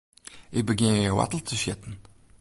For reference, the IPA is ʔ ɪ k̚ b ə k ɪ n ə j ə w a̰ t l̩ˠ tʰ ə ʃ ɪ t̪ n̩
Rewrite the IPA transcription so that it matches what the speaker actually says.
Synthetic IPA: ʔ ɪ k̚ b ə ɡ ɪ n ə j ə w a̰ t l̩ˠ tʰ ə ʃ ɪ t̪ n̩